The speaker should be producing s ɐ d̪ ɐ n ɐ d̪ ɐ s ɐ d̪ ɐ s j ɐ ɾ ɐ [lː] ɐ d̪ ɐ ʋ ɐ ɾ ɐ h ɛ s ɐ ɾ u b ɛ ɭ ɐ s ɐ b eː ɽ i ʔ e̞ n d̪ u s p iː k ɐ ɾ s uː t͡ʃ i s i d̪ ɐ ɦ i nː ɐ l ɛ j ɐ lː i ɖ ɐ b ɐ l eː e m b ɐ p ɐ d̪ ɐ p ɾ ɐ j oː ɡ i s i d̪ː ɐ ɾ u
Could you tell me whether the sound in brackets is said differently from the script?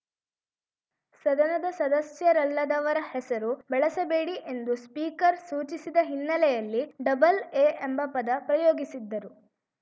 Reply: no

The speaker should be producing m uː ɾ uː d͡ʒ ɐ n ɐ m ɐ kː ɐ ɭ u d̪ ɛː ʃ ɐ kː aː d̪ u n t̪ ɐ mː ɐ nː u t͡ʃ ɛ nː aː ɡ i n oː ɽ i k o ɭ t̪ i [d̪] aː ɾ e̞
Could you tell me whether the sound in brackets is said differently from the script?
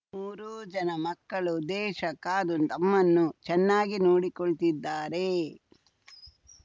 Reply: yes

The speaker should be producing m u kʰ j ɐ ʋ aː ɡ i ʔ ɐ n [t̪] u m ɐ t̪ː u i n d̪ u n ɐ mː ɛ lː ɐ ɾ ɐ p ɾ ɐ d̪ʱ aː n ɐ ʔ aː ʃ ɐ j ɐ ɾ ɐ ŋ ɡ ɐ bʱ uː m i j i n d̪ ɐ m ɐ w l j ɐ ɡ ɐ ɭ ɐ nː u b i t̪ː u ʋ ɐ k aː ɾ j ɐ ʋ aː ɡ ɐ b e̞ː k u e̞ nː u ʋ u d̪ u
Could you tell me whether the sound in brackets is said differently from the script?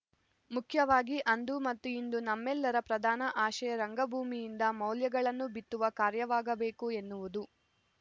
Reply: yes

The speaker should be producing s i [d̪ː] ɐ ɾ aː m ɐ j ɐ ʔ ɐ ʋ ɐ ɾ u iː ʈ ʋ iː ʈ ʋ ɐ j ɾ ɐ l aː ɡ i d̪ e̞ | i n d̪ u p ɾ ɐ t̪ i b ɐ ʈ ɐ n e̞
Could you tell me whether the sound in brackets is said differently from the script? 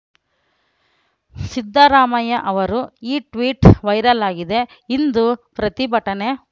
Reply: no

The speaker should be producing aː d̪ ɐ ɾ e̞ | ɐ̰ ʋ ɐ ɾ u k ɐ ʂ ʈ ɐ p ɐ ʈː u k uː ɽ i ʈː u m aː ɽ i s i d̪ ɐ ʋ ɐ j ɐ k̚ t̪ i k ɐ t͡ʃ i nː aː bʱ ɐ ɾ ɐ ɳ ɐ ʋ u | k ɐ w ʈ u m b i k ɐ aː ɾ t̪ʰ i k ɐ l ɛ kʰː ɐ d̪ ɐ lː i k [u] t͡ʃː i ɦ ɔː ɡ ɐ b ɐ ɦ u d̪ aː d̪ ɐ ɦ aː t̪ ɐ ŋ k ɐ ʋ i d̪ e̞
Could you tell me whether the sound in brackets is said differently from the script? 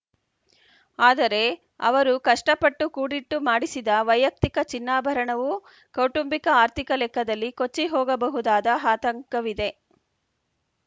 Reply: yes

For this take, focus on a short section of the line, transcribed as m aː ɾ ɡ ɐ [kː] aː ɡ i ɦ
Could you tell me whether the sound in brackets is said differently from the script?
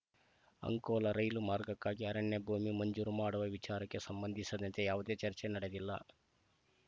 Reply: no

